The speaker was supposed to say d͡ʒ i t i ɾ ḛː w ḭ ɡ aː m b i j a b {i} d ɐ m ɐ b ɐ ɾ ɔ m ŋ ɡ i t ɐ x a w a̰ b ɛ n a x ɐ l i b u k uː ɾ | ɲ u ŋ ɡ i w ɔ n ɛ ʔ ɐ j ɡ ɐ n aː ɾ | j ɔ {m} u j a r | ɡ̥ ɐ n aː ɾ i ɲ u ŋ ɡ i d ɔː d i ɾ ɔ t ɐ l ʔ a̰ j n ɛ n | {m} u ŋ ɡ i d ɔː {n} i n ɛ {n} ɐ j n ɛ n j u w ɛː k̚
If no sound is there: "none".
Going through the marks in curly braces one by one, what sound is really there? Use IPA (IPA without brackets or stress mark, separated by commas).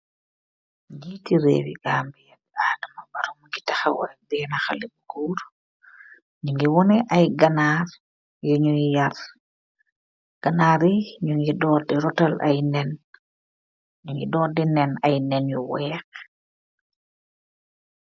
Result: a, ɲ, ɲ, d, n